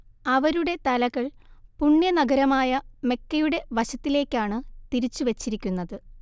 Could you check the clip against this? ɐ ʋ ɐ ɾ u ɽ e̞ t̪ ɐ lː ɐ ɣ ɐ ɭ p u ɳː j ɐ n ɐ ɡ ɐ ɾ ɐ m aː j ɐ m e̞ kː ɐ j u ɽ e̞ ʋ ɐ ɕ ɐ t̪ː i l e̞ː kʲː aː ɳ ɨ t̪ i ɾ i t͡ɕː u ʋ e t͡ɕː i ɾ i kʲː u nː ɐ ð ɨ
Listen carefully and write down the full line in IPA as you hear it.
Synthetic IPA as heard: ɐ ʋ ɐ ɾ u ɽ e̞ t̪ ɐ l ɐ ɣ ɐ ɭ p u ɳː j ɐ n ɐ ɡ ɐ ɾ ɐ m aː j ɐ m e̞ kː ɐ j u ɽ e̞ ʋ ɐ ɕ ɐ t̪ː i l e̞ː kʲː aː ɳ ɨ t̪ i ɾ i t͡ɕː u ʋ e t͡ɕː i ɾ i kʲː u nː ɐ ð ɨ

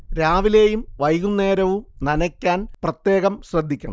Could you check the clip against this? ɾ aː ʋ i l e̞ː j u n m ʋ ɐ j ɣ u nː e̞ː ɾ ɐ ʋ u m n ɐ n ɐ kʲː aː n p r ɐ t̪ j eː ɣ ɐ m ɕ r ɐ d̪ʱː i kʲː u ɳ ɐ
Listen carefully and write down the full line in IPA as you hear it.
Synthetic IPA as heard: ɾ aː ʋ i l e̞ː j u m ʋ ɐ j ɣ u nː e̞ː ɾ ɐ ʋ u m n ɐ n ɐ kʲː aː n p r ɐ t̪ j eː ɣ ɐ m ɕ r ɐ d̪ʱː i kʲː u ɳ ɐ

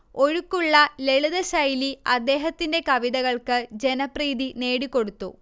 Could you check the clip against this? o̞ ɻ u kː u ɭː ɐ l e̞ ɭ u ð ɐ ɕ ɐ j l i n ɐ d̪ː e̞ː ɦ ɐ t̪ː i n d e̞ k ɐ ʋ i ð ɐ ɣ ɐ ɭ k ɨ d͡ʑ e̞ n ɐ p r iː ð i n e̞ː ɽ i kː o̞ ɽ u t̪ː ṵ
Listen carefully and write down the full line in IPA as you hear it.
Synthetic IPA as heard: o̞ ɻ u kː u ɭː ɐ l e̞ ɭ u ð ɐ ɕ ɐ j l i ɐ d̪ː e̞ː ɦ ɐ t̪ː i n d e̞ k ɐ ʋ i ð ɐ ɣ ɐ ɭ k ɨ d͡ʑ e̞ n ɐ p r iː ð i n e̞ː ɽ i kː o̞ ɽ u t̪ː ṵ

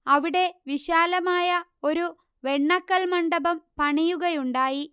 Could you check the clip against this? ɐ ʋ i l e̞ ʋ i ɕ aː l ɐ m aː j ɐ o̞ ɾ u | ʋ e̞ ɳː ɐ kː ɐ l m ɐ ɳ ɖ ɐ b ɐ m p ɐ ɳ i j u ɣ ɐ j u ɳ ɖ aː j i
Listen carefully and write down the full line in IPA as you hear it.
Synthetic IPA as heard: ɐ ʋ i ɽ e̞ ʋ i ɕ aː l ɐ m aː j ɐ o̞ ɾ u | ʋ e̞ ɳː ɐ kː ɐ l m ɐ ɳ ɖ ɐ b ɐ m p ɐ ɳ i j u ɣ ɐ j u ɳ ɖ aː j i

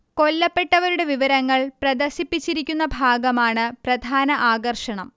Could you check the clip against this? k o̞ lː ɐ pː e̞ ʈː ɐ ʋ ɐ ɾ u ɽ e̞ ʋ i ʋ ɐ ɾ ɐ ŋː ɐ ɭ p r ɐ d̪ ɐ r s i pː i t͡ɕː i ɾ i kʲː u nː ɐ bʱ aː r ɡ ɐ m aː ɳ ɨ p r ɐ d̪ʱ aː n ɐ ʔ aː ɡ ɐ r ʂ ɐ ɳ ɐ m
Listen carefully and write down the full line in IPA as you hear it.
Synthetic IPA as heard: k o̞ lː ɐ pː e̞ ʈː ɐ ʋ ɐ ɾ u ɽ e̞ ʋ i ʋ ɐ ɾ ɐ ŋː ɐ ɭ p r ɐ d̪ ɐ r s i pː i t͡ɕː i ɾ i kʲː u nː ɐ bʱ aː ɡ ɐ m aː ɳ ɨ p r ɐ d̪ʱ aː n ɐ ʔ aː ɡ ɐ r ʂ ɐ ɳ ɐ m

